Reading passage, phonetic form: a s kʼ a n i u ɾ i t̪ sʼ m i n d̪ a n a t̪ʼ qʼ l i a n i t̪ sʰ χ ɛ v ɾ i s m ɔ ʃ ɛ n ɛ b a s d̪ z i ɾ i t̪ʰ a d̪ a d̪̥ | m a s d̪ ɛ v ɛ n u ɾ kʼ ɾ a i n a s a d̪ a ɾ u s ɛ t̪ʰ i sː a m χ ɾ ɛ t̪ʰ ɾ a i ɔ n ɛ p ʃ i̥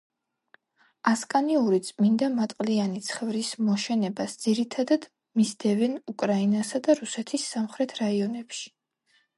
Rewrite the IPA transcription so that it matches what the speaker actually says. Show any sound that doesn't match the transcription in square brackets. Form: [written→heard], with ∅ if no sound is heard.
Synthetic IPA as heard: a s kʼ a n i u ɾ i t̪ sʼ m i n d̪ a [n→m] a t̪ʼ qʼ l i a n i t̪ sʰ χ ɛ v ɾ i s m ɔ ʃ ɛ n ɛ b a s d̪ z i ɾ i t̪ʰ a d̪ a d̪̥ | m [a→i] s d̪ ɛ v ɛ n u [ɾ→∅] kʼ ɾ a i n a s a d̪ a ɾ u s ɛ t̪ʰ i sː a m χ ɾ ɛ t̪ʰ ɾ a i ɔ n ɛ p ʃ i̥